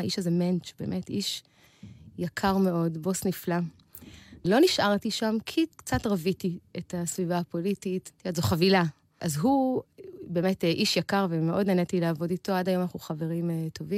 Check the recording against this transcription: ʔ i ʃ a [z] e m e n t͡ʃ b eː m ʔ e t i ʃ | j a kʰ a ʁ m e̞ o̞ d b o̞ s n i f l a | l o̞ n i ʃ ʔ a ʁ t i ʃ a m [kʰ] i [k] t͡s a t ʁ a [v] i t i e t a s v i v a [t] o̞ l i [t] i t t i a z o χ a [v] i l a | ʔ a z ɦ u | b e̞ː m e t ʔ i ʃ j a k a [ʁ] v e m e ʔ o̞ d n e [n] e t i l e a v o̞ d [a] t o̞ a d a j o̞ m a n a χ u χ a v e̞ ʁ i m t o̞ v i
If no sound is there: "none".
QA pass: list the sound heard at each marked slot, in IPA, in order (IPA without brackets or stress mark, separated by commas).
z, kʰ, k, v, p, t, v, ʁ, n, i